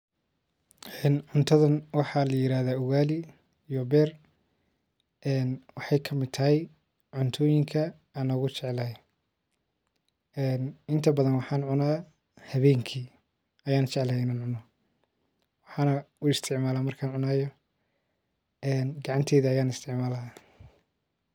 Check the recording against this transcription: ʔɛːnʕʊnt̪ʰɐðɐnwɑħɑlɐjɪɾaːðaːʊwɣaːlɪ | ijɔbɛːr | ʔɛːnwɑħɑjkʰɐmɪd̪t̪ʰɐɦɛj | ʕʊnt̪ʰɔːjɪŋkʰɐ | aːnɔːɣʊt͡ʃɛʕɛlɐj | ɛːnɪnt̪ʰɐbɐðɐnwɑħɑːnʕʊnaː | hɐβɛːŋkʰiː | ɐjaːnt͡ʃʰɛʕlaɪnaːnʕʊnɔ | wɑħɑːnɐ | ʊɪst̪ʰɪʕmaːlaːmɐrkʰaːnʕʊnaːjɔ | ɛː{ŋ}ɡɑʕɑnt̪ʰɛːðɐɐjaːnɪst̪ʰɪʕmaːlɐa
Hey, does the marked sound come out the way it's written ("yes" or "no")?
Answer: no